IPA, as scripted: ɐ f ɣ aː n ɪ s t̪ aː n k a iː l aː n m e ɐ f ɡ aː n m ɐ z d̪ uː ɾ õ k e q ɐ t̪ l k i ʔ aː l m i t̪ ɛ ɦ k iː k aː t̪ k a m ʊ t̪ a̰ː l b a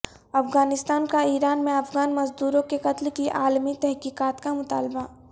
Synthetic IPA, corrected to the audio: ɐ f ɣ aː n ɪ s t̪ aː n k a iː ɾ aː n m ẽ ɐ f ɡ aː n m ɐ z d̪ uː ɾ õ k e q ɐ t̪ l k i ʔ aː l m i t̪ ɛ ɦ k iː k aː t̪ k a m ʊ t̪ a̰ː l b a